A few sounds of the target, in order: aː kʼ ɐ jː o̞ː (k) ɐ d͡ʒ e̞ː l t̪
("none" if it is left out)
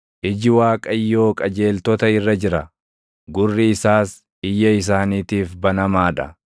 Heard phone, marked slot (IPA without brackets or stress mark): kʼ